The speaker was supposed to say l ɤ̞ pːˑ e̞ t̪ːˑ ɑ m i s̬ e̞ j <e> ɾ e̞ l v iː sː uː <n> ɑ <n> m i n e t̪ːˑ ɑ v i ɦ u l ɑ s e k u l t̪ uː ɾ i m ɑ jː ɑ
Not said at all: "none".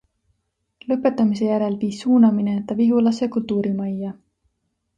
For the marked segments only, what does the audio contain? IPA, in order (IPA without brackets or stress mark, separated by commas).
æ, n, none